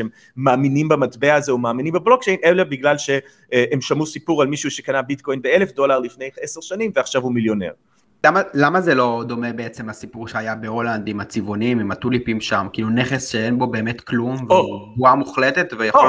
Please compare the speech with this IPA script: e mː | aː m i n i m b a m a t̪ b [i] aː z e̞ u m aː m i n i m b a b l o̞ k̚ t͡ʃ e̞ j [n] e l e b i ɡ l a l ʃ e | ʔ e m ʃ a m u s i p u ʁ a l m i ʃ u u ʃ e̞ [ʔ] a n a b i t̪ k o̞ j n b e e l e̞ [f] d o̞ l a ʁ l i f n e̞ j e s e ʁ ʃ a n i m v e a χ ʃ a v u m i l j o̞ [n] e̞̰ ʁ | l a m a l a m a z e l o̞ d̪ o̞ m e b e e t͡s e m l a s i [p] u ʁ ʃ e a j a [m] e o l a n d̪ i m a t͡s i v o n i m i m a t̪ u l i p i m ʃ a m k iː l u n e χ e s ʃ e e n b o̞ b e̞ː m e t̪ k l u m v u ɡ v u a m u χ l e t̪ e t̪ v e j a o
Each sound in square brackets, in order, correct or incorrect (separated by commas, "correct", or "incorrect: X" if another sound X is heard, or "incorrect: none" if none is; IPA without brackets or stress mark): incorrect: e, correct, incorrect: k, correct, correct, correct, incorrect: b